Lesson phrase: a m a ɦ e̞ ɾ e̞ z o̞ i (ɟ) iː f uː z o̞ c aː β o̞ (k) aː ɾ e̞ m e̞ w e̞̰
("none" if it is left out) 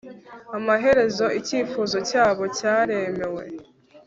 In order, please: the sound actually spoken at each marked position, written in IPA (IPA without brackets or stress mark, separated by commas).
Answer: c, c